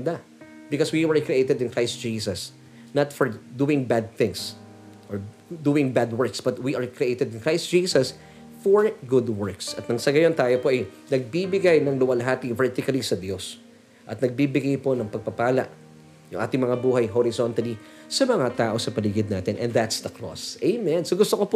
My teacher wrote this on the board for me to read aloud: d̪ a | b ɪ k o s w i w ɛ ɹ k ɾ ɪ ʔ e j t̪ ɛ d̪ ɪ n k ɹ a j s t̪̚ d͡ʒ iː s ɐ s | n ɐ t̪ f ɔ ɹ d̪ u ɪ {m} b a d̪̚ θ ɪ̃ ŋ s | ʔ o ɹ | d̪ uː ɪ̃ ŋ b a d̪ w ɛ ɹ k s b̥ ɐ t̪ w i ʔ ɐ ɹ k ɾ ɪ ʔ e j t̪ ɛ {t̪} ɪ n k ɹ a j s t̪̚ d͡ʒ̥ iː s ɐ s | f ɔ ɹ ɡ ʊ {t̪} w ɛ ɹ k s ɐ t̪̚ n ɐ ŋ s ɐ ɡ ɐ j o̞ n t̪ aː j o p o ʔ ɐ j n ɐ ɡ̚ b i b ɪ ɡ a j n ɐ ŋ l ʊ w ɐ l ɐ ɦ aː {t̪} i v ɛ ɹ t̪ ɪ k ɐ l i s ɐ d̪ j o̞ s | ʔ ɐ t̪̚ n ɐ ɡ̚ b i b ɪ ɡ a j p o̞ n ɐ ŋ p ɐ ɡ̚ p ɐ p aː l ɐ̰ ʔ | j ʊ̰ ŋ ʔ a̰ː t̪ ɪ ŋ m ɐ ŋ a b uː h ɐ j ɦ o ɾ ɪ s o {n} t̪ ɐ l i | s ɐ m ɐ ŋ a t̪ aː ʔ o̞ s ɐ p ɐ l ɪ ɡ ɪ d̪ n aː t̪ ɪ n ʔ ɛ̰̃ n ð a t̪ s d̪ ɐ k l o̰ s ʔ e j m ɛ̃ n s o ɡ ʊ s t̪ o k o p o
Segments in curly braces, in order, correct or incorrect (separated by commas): incorrect, incorrect, incorrect, correct, correct